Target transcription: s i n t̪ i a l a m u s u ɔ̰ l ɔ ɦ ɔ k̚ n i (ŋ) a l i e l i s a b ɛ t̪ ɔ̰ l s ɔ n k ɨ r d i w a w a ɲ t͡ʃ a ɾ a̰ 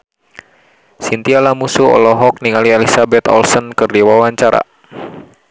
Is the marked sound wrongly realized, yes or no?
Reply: no